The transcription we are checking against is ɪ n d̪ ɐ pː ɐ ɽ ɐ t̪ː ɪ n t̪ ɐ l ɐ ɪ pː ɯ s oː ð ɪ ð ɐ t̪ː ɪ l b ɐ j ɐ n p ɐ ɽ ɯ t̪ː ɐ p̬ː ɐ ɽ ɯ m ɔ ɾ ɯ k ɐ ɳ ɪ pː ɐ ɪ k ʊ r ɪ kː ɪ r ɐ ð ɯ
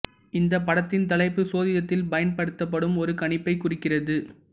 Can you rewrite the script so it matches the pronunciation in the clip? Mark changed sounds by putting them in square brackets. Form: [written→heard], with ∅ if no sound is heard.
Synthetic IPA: ɪ n d̪ ɐ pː ɐ ɽ ɐ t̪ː ɪ n t̪ ɐ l ɐ ɪ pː ɯ s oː ð ɪ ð ɐ t̪ː ɪ l b ɐ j ɐ n p ɐ ɽ ɯ t̪ː ɐ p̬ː ɐ ɽ ɯ m ɔ ɾ ɯ k ɐ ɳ ɪ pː ɐ ɪ k ʊ r ɪ kː ɪ r ɐ ð ɯ